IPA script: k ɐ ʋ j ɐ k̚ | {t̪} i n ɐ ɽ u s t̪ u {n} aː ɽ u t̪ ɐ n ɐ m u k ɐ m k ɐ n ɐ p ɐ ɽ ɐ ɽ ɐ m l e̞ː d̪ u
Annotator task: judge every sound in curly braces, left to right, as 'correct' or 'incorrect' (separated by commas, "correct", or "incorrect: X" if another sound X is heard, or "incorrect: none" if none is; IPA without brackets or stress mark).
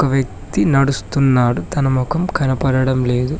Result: correct, incorrect: nː